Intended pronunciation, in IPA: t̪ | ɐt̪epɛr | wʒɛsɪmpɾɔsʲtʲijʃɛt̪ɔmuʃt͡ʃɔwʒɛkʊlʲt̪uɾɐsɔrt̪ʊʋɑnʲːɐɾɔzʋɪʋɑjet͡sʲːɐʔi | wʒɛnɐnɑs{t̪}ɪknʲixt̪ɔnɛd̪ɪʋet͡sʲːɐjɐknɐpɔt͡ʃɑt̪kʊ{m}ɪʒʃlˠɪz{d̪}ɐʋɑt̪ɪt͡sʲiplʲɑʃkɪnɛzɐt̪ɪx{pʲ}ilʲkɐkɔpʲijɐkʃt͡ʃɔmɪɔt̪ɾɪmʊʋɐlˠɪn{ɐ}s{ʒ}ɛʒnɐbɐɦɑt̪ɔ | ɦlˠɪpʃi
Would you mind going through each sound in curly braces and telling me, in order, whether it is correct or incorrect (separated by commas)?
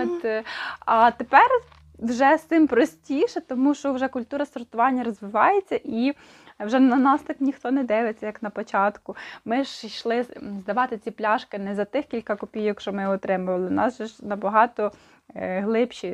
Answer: correct, correct, correct, incorrect, incorrect, correct